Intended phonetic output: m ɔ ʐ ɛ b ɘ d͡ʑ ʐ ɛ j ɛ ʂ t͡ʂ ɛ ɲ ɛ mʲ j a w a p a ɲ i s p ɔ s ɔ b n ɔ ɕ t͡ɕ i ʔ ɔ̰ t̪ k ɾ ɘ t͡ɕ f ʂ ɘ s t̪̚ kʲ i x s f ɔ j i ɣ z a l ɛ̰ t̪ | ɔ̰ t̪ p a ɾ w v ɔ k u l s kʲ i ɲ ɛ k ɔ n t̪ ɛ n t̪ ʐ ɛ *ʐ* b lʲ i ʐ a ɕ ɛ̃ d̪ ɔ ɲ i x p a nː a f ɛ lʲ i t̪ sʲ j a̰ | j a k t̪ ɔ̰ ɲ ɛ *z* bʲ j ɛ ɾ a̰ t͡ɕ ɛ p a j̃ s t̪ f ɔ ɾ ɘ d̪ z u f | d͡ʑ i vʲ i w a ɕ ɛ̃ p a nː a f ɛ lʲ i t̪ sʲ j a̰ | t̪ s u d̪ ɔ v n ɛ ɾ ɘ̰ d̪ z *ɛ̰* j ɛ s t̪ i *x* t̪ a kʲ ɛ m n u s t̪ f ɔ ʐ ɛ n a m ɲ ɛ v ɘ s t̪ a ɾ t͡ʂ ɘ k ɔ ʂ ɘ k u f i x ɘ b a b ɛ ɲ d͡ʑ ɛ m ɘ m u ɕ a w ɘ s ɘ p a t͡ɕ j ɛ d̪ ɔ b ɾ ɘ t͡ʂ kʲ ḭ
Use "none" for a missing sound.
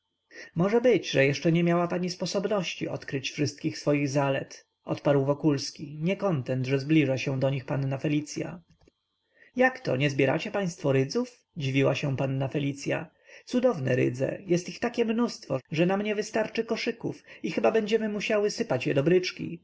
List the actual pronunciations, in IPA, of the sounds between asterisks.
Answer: z, z, ɛ̰, x

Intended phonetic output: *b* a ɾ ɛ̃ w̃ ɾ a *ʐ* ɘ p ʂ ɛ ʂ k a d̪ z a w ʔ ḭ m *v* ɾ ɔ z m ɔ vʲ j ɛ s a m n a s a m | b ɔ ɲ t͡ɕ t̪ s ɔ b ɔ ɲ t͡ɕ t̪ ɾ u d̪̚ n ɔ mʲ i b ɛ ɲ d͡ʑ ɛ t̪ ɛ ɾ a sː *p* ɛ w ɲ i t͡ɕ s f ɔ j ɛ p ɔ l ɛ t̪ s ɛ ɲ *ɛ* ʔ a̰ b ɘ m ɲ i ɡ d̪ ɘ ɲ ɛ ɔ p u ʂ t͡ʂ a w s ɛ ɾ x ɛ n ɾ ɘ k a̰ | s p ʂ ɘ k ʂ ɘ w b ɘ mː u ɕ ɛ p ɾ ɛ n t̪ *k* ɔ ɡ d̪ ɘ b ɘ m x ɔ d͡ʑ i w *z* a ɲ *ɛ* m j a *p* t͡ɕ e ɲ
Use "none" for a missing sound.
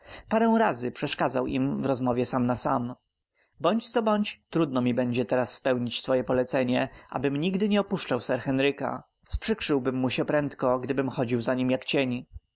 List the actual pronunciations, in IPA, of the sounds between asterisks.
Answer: p, z, v, p, ɛ, k, z, i, k

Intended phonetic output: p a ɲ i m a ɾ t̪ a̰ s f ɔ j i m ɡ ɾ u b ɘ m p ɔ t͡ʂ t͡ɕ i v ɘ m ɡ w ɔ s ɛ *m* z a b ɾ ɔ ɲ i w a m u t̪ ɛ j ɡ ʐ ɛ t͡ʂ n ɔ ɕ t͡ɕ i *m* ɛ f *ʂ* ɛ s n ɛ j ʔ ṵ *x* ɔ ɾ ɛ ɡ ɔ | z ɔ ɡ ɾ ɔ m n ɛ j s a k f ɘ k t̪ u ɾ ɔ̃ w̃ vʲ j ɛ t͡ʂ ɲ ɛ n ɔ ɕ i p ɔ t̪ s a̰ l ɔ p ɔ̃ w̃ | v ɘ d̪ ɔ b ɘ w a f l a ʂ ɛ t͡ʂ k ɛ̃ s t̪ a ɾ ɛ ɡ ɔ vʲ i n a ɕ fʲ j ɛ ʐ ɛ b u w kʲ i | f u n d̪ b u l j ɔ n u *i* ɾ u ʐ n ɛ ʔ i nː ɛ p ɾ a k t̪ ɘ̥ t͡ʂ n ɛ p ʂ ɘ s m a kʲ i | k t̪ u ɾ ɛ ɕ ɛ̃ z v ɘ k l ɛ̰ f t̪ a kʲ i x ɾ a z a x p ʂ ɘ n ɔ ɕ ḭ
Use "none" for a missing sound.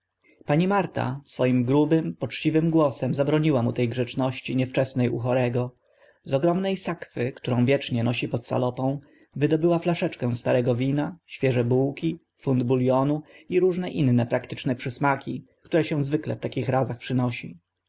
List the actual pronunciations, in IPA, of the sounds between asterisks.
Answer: m, ɲ, t͡ʂ, x, i

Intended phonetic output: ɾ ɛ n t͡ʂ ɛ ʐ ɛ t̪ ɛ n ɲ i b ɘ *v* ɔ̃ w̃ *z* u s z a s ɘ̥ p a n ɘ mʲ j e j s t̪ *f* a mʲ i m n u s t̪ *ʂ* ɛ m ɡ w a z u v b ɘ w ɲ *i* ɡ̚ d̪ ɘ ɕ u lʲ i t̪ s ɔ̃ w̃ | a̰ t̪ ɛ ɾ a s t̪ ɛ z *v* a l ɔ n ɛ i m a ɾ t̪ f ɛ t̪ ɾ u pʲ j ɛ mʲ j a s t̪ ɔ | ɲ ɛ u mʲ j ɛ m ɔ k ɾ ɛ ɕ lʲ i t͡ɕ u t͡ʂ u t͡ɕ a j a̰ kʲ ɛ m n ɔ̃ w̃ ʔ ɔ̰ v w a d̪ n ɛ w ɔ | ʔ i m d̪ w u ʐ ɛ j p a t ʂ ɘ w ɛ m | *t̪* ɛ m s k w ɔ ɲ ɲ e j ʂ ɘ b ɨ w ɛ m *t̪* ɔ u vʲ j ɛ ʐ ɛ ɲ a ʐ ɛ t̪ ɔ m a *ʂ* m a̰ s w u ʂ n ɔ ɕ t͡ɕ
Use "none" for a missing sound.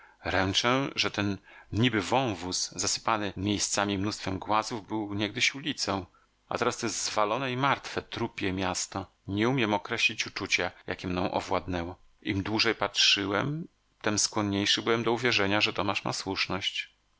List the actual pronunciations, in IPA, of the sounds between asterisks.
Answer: v, v, s, f, ɛ, v, t̪, d̪, ʂ

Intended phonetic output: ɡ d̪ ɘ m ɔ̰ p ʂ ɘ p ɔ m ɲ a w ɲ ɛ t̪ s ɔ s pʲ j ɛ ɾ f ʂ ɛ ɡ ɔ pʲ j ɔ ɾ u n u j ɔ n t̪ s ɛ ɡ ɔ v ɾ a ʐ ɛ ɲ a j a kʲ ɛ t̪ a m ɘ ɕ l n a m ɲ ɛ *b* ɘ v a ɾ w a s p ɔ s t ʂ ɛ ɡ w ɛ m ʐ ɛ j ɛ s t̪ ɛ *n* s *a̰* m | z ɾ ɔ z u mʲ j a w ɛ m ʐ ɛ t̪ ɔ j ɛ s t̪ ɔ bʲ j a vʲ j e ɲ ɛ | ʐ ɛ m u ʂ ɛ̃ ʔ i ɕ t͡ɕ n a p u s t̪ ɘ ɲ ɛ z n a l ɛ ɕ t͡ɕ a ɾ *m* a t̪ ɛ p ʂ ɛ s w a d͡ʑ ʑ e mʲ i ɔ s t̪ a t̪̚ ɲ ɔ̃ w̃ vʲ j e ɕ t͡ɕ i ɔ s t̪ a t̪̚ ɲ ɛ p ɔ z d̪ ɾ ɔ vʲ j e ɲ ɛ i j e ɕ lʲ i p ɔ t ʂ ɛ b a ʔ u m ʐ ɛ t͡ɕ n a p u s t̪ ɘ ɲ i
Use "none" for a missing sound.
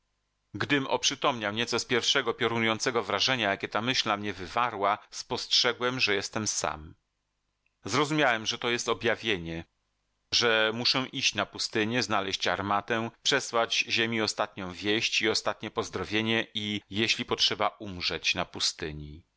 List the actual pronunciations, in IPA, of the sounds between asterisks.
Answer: v, m, a̰, m

